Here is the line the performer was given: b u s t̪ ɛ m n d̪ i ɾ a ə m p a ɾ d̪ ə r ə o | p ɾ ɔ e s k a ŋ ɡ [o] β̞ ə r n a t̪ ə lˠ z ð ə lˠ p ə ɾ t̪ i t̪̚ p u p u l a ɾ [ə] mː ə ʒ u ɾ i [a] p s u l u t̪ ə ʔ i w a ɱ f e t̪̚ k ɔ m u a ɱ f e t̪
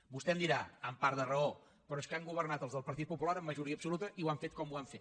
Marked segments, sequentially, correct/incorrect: incorrect: u, correct, incorrect: ə

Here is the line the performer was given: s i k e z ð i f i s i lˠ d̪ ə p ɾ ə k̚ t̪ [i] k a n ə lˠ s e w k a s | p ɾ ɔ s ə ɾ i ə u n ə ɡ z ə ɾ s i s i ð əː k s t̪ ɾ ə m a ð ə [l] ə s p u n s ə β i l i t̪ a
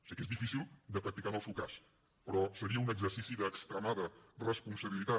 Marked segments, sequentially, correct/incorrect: correct, incorrect: r

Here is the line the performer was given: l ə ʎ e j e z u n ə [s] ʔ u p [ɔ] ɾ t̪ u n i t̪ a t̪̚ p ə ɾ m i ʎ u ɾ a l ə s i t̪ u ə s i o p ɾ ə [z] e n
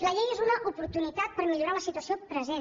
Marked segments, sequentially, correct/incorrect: incorrect: none, incorrect: u, correct

